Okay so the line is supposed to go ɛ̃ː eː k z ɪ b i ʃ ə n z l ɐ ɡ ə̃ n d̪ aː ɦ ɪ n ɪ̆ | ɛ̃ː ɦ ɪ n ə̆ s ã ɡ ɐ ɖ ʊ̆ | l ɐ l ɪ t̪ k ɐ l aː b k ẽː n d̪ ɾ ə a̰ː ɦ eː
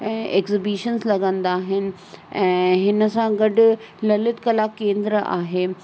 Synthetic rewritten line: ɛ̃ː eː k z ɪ b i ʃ ə n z l ɐ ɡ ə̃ n d̪ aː ɦ ɪ n ɪ̆ | ɛ̃ː ɦ ɪ n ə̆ s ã ɡ ɐ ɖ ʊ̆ | l ɐ l ɪ t̪ k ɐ l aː k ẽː n d̪ ɾ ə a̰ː ɦ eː